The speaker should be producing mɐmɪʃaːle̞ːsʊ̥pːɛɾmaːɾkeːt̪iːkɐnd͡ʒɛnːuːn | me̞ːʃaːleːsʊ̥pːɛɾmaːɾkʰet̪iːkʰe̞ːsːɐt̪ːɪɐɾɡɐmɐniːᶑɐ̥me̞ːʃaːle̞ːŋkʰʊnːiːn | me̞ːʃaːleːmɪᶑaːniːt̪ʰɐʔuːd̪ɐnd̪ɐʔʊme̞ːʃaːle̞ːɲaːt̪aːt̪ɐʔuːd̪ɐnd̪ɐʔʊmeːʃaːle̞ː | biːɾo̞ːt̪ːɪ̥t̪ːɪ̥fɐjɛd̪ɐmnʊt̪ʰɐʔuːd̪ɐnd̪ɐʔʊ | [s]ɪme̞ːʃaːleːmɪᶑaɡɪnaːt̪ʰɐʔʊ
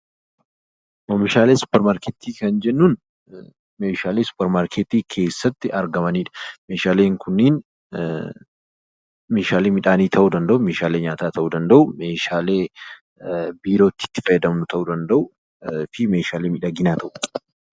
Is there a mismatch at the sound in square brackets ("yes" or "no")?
yes